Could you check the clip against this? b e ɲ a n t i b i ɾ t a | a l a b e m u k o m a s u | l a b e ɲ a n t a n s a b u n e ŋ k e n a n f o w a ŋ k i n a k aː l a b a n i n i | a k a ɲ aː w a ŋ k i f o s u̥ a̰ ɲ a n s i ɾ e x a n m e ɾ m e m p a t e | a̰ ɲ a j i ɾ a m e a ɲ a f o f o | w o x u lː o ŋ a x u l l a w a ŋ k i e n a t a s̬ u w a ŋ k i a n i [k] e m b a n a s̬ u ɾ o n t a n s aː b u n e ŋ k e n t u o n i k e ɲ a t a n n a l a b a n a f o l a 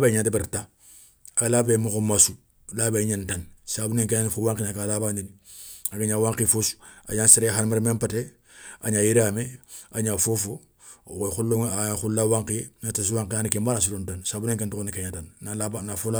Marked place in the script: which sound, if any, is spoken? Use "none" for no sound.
k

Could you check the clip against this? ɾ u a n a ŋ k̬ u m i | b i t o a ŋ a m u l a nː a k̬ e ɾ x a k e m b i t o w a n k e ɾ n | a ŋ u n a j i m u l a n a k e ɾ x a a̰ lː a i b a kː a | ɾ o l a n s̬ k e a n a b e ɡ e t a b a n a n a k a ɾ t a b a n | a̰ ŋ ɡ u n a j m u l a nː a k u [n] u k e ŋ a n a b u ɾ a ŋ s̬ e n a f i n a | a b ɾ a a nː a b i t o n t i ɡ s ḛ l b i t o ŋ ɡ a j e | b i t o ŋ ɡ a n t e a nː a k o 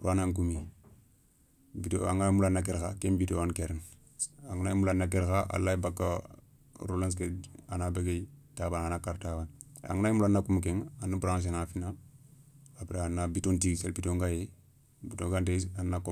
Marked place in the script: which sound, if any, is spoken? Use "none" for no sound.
m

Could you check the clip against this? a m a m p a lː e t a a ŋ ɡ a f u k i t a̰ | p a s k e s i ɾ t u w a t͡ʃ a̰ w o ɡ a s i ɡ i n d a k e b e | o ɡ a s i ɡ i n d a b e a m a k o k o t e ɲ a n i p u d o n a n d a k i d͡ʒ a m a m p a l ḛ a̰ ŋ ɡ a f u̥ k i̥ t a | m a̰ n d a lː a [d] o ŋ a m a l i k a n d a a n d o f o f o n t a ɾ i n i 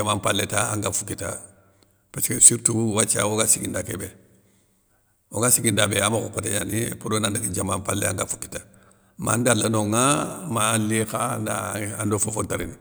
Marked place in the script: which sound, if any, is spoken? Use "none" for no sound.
n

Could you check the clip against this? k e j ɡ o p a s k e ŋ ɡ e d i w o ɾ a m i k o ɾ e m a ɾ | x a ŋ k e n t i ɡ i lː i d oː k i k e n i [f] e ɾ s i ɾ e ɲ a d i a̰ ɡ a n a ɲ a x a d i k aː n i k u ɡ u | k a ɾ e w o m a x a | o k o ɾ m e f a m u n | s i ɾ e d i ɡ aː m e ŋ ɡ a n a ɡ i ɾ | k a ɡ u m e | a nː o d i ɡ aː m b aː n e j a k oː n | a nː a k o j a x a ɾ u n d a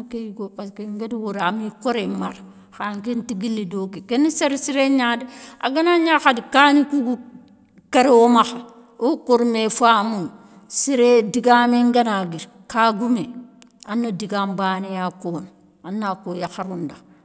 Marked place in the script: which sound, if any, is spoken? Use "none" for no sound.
s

